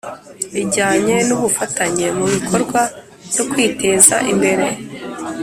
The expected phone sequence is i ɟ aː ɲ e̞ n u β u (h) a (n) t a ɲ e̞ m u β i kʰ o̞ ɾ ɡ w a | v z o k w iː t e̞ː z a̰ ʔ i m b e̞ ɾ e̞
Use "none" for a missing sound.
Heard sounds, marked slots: f, none

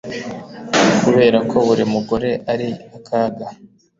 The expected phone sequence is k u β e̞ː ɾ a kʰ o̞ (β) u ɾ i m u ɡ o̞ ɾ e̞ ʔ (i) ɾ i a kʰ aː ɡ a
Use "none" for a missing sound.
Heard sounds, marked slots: β, a

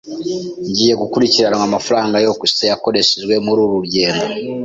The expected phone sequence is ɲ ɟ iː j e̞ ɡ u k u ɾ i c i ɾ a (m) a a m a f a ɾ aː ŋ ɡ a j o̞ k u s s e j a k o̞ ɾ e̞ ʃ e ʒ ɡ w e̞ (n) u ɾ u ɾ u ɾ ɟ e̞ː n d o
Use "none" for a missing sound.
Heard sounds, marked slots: n, m

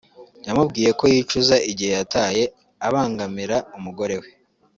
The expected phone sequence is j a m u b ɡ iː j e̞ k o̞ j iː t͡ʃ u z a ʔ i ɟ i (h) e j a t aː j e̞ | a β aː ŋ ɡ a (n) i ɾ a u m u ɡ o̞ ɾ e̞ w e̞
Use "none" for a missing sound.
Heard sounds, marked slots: h, m

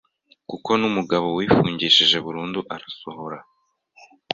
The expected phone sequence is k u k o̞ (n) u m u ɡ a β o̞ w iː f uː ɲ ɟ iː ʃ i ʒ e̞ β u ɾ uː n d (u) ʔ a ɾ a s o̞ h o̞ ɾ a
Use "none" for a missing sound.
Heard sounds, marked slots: n, u

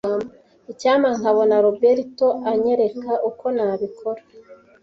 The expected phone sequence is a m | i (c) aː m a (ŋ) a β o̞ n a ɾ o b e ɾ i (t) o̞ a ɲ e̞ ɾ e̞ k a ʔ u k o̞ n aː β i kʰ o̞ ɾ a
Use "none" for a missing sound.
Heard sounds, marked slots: c, ŋ, t

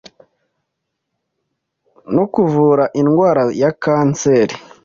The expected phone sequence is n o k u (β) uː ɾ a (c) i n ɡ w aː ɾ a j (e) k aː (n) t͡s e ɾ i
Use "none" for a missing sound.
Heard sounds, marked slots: v, ʔ, a, n

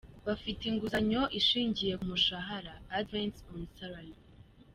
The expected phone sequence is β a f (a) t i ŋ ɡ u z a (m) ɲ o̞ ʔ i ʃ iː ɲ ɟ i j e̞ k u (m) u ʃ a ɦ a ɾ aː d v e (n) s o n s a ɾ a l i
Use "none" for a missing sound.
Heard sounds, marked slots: i, none, m, n

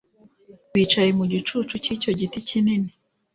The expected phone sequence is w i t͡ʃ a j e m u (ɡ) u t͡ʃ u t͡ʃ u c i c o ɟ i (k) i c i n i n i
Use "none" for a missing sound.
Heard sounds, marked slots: ɟ, t

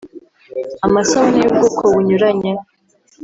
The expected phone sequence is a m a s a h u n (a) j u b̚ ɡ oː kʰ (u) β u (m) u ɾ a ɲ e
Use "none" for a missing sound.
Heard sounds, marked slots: i, o, ɲ

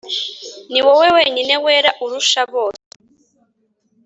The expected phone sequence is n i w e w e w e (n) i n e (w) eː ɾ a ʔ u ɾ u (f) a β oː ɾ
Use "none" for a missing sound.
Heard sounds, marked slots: ɲ, w, ʃ

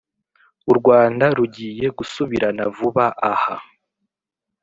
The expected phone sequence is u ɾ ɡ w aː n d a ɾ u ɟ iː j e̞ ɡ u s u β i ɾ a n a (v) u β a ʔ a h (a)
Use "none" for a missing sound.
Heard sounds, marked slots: v, a

